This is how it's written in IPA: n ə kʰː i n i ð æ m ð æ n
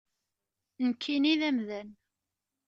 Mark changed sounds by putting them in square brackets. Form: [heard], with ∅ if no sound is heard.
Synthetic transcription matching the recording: n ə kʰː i n i ð æ m ð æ n